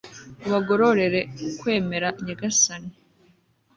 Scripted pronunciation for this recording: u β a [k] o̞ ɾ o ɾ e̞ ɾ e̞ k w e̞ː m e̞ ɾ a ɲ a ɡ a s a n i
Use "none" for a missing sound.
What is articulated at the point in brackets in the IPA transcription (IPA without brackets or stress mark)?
ɡ